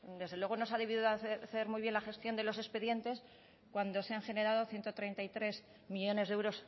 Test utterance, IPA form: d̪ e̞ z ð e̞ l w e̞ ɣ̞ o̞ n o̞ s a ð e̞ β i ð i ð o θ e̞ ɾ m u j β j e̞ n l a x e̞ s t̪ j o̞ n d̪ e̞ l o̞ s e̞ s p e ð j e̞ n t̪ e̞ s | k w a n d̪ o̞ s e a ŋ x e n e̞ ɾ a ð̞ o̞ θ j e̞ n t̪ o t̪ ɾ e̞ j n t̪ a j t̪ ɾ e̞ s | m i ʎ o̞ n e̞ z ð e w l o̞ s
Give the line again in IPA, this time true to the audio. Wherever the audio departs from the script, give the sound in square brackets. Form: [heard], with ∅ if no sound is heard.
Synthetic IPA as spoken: d̪ e̞ z ð e̞ l w e̞ ɣ̞ o̞ n o̞ s a ð e̞ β i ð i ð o θ e̞ ɾ m u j β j e̞ n l a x e̞ s t̪ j o̞ n d̪ e̞ l o̞ s e̞ s p e ð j e̞ n t̪ e̞ s | k w a n d̪ o̞ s e a ŋ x e n e̞ ɾ a ð̞ o̞ θ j e̞ n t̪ o t̪ ɾ e̞ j n t̪ a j t̪ ɾ e̞ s | m i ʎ o̞ n e̞ z ð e w [ɾ] o̞ s